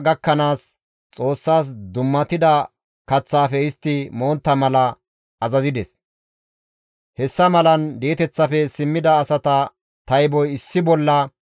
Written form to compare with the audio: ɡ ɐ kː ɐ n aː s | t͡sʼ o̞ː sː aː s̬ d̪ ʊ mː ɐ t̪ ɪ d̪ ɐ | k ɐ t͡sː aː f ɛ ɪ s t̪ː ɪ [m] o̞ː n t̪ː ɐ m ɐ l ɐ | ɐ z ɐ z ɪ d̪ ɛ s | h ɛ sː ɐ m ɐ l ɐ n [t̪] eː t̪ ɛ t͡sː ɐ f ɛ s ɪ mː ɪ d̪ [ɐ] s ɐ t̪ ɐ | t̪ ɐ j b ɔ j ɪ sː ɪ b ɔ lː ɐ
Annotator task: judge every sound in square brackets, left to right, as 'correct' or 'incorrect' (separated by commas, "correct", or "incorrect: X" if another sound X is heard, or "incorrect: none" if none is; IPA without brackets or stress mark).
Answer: correct, incorrect: d̪, incorrect: ɐː